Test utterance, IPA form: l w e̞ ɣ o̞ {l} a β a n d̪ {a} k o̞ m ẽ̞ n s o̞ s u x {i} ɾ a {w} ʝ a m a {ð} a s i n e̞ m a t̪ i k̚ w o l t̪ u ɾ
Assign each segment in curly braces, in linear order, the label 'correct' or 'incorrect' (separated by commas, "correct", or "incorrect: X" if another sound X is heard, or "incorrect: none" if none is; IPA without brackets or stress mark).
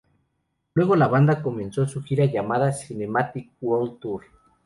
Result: correct, correct, correct, incorrect: none, correct